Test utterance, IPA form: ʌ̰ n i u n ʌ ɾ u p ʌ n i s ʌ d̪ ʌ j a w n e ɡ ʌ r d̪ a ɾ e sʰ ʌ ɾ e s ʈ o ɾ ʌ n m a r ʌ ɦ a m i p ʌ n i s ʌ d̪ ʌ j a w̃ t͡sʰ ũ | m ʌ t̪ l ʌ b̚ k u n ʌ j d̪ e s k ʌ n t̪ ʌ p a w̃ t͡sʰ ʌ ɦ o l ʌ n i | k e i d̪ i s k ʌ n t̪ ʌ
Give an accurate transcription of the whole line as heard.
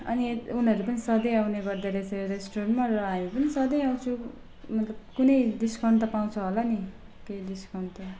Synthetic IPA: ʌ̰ n i u n ʌ ɾ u p ʌ n i s ʌ d̪ ʌ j a w n e ɡ ʌ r d̪ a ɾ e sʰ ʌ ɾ e s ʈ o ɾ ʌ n m a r ʌ ɦ a m i p ʌ n i s ʌ d̪ ʌ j a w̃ t͡sʰ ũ | m ʌ t̪ l ʌ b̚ k u n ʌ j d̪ i s k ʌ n t̪ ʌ p a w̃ t͡sʰ ʌ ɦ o l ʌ n i | k e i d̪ i s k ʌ n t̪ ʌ